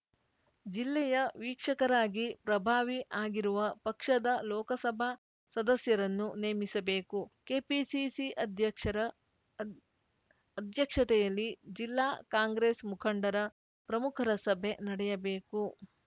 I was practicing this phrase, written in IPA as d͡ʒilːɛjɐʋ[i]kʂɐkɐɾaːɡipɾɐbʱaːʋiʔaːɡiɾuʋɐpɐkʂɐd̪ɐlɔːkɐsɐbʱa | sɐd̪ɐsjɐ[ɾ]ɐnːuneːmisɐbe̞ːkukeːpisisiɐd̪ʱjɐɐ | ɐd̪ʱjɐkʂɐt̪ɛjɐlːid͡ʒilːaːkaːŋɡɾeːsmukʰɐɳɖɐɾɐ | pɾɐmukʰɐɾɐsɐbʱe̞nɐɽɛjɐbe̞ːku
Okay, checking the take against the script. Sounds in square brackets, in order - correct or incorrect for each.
incorrect: iː, correct

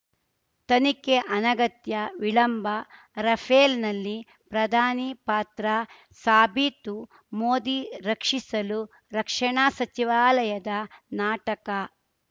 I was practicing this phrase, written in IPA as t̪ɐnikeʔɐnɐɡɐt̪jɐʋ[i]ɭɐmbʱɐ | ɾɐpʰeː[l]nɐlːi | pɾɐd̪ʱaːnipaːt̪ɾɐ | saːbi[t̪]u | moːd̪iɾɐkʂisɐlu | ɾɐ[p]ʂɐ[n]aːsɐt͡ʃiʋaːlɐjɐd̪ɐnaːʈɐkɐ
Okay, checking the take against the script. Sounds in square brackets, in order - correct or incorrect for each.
correct, correct, correct, incorrect: k, incorrect: ɳ

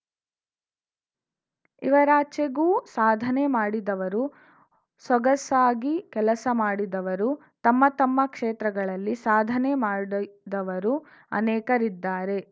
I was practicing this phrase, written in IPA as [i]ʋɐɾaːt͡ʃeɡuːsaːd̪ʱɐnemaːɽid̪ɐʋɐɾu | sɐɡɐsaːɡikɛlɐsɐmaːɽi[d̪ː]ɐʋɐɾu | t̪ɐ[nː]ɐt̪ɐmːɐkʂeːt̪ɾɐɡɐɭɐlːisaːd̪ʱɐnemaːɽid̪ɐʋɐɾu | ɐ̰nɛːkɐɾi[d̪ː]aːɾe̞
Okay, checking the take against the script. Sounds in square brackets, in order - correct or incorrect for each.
correct, incorrect: d̪, incorrect: mː, correct

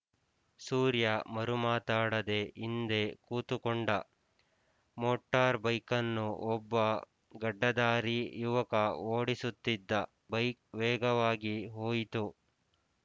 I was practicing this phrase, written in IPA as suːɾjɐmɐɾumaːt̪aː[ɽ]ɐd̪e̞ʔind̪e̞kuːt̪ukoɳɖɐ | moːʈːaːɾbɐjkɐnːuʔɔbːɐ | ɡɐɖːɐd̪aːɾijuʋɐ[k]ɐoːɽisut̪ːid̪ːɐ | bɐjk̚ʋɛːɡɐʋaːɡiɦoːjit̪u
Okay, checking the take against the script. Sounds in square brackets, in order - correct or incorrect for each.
correct, correct

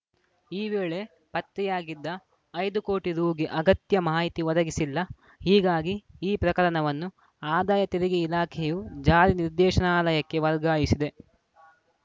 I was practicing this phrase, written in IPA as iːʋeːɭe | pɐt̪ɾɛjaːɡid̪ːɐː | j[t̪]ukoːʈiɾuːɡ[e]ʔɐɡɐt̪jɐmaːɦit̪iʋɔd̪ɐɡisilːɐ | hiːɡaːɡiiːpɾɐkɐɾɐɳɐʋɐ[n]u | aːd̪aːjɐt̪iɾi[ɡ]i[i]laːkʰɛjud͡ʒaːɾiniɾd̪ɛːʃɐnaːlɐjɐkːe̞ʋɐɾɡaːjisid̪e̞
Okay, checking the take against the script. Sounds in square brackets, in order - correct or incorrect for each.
incorrect: d̪, incorrect: i, incorrect: nː, correct, correct

